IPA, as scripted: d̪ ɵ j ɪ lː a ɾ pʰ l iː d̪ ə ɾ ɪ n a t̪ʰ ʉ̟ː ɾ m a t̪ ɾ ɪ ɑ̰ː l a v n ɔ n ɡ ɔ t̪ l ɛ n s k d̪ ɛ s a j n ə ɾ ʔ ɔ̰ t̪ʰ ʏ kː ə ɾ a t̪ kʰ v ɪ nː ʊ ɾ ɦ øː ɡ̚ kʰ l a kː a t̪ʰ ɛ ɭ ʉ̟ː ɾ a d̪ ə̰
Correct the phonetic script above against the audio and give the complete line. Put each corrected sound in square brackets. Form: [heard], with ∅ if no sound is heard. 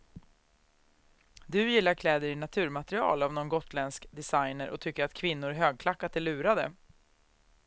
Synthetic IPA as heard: d̪ ɵ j ɪ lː a ɾ [kʰ] l [ɛː] d̪ ə ɾ ɪ n a t̪ʰ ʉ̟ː ɾ m a t̪ ɾ ɪ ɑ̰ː l a v n ɔ n ɡ ɔ t̪ l ɛ n s k d̪ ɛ s a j n ə ɾ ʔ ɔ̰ t̪ʰ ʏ kː ə ɾ a t̪ kʰ v ɪ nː ʊ ɾ ɦ øː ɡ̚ kʰ l a kː a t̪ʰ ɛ ɭ ʉ̟ː ɾ a d̪ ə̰